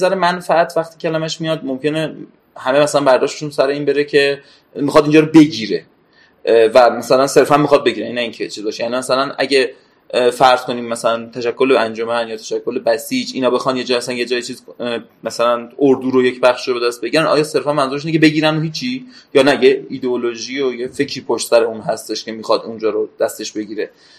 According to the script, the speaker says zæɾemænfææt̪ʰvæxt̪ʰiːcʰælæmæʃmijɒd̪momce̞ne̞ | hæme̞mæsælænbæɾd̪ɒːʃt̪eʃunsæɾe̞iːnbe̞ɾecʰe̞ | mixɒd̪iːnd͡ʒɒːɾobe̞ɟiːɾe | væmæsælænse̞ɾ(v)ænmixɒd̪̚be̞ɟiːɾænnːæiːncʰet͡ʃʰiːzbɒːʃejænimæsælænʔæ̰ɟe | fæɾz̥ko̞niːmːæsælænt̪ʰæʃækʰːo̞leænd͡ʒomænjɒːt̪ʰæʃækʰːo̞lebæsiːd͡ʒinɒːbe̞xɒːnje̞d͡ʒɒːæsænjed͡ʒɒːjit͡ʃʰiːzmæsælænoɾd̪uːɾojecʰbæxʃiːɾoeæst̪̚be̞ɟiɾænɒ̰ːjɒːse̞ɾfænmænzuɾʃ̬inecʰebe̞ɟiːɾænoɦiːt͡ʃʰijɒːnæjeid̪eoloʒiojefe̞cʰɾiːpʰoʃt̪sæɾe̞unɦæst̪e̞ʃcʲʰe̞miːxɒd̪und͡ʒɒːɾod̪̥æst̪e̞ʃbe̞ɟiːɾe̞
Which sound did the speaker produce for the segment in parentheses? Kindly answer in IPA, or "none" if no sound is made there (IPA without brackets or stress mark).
f